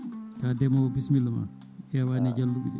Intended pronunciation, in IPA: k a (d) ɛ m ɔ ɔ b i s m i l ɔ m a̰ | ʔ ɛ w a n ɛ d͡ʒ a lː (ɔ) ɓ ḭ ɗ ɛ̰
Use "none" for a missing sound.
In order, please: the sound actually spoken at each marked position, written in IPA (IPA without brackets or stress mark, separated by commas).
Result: d, u